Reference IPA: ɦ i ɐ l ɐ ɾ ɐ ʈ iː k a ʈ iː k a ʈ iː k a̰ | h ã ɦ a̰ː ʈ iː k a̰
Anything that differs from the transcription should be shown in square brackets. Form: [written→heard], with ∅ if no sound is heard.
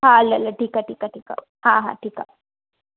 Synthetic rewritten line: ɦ [i→a] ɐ l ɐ [ɾ→l] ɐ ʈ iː k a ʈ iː k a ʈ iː k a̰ | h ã ɦ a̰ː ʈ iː k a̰